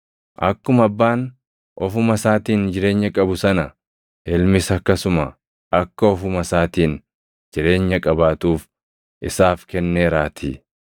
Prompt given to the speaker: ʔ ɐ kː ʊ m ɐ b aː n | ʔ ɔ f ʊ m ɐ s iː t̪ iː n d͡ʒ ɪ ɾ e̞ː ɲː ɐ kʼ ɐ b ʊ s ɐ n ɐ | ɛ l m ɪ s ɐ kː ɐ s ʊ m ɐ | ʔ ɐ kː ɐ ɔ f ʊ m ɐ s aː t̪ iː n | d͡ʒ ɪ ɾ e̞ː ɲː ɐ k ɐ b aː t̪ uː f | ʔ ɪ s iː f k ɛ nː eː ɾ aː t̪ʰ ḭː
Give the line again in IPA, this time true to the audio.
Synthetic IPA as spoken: ʔ ɐ kː ʊ m ɐ bː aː n | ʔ ɔ f ʊ m ɐ s aː t̪ iː n d͡ʒ ɪ ɾ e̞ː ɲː ɐ kʼ ɐ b ʊ s ɐ n ɐ | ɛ l m ɪ s ɐ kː ɐ s ʊ m ɐ | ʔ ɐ kː ɐ ɔ f ʊ m ɐ s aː t̪ iː n | d͡ʒ ɪ ɾ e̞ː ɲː ɐ kʼ ɐ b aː t̪ uː f | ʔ ɪ s aː f k ɛ nː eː ɾ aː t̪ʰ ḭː